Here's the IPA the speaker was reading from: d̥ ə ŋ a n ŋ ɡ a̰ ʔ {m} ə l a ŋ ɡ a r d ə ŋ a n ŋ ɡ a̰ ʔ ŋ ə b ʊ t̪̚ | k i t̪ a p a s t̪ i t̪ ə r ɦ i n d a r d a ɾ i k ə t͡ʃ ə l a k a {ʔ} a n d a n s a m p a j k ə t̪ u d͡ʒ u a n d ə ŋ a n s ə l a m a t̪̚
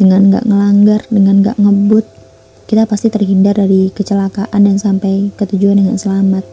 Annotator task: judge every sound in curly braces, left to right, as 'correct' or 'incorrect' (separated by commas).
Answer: incorrect, correct